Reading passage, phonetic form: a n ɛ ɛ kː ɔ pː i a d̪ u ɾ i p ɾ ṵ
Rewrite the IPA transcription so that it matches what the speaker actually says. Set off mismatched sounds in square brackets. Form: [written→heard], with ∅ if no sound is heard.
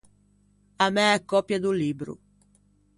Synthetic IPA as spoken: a [n→m] ɛ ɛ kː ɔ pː [i→j] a d̪ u [ɾ→l] i [p→b] ɾ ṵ